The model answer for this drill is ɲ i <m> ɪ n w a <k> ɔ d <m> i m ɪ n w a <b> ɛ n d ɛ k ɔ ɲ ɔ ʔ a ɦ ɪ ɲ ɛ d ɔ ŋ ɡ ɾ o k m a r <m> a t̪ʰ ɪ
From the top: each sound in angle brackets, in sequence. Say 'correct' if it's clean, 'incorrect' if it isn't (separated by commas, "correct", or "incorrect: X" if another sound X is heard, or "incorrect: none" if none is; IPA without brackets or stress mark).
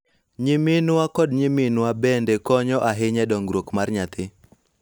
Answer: correct, correct, incorrect: ɲ, correct, incorrect: ɲ